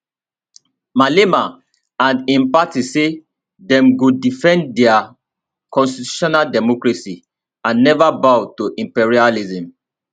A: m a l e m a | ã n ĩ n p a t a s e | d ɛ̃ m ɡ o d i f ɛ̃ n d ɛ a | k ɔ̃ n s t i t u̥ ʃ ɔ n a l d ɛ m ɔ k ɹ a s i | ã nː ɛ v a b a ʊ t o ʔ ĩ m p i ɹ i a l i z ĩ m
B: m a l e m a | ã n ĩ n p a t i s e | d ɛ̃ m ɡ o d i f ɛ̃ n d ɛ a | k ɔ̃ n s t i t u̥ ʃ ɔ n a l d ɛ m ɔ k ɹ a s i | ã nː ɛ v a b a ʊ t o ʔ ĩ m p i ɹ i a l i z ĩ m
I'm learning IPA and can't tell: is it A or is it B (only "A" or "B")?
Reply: B